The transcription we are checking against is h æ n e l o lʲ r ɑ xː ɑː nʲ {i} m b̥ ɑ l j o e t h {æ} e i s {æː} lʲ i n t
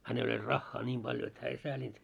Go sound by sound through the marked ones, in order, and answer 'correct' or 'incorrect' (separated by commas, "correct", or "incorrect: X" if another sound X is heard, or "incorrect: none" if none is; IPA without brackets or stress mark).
incorrect: iː, incorrect: æː, correct